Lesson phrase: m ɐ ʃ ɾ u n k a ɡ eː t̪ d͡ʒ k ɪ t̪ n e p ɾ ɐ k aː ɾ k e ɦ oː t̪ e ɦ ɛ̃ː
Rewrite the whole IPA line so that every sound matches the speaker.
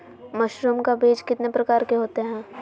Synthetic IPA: m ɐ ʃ ɾ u m k a b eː d͡ʒ k ɪ t̪ n e p ɾ ɐ k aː ɾ k e ɦ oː t̪ e ɦ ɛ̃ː